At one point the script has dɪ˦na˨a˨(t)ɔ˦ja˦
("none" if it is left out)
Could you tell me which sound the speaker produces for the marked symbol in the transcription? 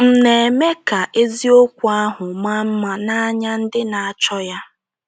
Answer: t͡ʃ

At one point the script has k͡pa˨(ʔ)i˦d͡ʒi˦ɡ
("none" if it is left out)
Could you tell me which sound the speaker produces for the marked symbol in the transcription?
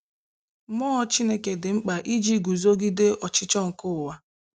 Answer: ʔ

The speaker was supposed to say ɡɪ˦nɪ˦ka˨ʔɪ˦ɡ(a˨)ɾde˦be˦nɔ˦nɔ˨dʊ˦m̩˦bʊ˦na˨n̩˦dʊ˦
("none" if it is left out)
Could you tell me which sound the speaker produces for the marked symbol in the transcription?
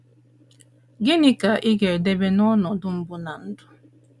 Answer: e˨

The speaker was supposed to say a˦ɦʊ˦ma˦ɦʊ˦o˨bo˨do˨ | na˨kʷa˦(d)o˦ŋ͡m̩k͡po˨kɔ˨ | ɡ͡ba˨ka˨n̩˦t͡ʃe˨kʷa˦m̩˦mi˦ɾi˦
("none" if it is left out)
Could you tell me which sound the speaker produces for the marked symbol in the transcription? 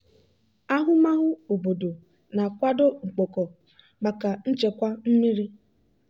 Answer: d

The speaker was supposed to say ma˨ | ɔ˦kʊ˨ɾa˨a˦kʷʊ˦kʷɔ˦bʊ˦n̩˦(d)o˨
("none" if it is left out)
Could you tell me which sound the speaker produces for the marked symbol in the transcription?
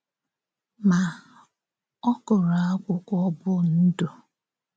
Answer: d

